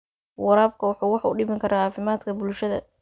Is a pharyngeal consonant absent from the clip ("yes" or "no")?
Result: no